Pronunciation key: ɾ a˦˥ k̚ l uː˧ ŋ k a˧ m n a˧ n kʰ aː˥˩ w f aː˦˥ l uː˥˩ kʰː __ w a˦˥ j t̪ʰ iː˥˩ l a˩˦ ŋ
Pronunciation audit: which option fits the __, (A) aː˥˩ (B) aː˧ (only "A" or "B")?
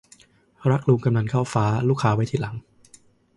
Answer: B